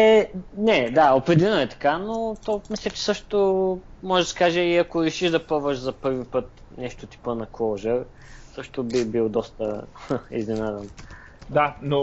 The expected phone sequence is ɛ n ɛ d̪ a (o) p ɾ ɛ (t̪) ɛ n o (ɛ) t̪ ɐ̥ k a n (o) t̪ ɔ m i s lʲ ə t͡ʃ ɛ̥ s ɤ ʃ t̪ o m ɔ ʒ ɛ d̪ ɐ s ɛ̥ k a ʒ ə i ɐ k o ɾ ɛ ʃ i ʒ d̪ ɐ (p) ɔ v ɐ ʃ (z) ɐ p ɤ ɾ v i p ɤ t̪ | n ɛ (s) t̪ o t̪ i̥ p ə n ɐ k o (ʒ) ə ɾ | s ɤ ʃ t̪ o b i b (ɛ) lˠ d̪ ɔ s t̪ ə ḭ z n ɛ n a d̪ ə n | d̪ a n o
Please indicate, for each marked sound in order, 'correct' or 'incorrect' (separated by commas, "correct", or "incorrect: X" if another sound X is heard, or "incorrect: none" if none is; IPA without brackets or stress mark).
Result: correct, incorrect: d̪, correct, correct, correct, correct, incorrect: ʃ, correct, incorrect: i